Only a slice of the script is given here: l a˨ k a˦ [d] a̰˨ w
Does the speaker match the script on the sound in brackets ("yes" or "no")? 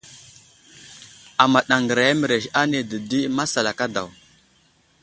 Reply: yes